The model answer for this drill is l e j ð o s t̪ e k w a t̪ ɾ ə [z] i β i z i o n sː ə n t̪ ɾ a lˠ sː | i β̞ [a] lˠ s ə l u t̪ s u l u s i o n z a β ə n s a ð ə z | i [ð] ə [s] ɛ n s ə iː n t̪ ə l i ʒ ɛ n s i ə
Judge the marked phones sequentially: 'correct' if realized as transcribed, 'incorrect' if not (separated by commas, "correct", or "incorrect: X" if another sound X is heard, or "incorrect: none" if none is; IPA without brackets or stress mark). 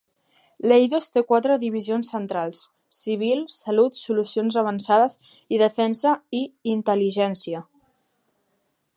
incorrect: ð, incorrect: i, correct, incorrect: f